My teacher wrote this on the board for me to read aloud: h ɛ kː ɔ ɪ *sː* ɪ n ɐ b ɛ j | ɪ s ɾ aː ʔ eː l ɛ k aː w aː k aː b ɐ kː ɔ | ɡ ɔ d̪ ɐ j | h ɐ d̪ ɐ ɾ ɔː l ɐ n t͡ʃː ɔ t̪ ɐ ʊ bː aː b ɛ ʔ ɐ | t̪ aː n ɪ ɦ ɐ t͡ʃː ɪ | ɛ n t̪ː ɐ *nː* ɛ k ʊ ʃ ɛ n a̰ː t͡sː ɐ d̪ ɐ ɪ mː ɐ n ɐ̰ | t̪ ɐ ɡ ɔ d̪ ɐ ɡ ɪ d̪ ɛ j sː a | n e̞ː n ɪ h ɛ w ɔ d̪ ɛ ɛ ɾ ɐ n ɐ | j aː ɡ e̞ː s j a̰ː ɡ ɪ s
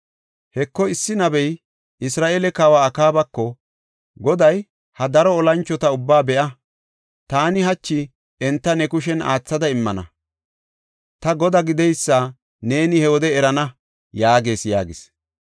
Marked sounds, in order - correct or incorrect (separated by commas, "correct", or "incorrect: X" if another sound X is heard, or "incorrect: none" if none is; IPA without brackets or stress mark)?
correct, incorrect: n